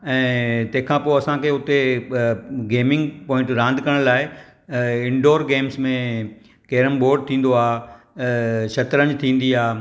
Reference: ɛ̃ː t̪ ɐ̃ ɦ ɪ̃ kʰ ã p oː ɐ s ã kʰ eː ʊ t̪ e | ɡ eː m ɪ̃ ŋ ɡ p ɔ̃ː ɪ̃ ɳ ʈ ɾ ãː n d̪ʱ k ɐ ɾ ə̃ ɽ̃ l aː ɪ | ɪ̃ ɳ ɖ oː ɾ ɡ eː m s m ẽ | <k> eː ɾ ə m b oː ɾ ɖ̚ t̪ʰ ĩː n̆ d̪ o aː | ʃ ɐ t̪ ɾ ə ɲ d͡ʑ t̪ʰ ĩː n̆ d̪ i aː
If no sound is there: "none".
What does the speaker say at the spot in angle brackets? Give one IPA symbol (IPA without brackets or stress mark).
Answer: k